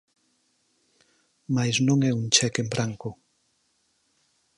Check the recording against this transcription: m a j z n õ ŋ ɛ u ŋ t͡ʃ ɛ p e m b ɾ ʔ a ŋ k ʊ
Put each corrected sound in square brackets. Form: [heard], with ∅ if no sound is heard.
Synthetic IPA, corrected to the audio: m a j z n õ ŋ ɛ u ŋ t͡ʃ ɛ [k] e m b ɾ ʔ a ŋ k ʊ